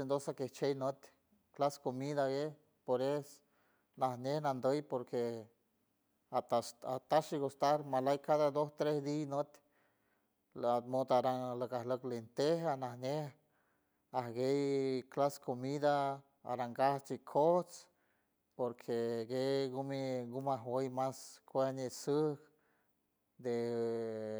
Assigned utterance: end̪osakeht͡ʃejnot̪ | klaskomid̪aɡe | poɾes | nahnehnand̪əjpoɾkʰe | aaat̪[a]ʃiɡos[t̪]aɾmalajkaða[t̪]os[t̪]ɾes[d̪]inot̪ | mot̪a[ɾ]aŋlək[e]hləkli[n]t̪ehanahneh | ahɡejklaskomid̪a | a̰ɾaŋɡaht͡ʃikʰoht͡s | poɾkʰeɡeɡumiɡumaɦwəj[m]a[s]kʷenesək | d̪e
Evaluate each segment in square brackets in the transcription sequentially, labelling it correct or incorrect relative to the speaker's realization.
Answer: correct, correct, incorrect: d̪, correct, correct, correct, incorrect: a, correct, correct, correct

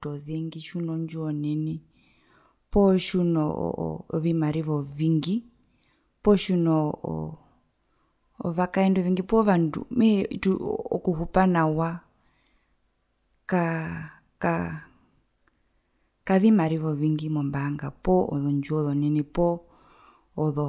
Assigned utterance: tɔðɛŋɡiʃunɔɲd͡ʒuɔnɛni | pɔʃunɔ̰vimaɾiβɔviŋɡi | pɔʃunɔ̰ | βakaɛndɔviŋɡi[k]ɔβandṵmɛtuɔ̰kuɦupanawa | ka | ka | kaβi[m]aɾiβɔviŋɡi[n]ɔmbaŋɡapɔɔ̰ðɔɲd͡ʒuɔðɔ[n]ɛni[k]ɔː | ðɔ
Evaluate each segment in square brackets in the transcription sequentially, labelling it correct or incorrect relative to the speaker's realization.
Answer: incorrect: p, correct, incorrect: m, correct, incorrect: p

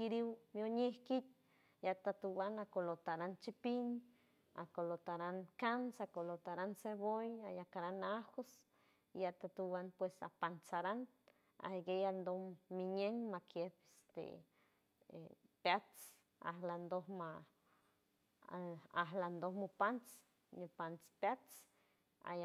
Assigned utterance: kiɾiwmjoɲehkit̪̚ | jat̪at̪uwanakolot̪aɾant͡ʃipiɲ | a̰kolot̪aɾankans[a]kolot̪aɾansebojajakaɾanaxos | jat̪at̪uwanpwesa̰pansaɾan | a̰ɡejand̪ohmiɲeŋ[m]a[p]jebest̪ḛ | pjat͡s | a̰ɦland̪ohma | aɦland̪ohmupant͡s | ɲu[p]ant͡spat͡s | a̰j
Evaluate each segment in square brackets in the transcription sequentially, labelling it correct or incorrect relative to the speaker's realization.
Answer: correct, correct, incorrect: k, correct

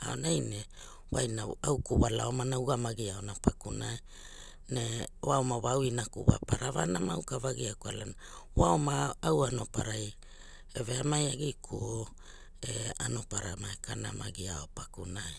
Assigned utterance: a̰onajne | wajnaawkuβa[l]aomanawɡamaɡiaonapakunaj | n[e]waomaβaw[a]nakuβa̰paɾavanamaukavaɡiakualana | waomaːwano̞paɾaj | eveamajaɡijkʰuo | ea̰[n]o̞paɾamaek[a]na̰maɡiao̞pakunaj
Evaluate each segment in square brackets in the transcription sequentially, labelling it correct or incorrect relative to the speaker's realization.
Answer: correct, correct, incorrect: i, correct, correct

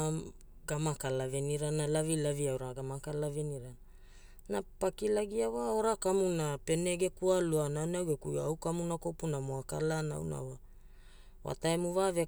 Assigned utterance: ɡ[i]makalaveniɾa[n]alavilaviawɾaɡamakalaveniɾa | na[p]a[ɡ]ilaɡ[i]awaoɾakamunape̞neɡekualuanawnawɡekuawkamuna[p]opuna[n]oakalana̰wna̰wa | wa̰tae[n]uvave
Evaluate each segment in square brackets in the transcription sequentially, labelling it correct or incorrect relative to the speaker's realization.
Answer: incorrect: a, correct, correct, incorrect: k, correct, incorrect: k, incorrect: m, incorrect: m

